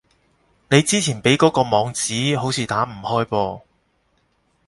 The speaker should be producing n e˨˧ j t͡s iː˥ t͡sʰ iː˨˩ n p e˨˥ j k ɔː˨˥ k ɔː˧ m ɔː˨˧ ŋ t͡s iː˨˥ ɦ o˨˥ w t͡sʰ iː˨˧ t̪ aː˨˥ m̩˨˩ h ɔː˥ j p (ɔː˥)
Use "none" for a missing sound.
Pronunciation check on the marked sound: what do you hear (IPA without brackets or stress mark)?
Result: ɔː˧